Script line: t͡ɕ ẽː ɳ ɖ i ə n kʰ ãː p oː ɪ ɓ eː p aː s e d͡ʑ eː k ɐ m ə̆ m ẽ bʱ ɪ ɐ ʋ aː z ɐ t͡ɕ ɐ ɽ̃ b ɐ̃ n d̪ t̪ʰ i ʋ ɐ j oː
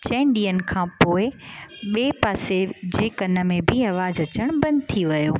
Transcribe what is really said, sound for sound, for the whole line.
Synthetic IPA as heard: t͡ɕ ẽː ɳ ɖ i ə n kʰ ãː p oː ɪ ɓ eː p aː s e d͡ʑ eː k ɐ n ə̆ m ẽ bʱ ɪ ɐ ʋ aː z ɐ t͡ɕ ə ɽ̃ b ɐ̃ n d̪ t̪ʰ i ʋ ɐ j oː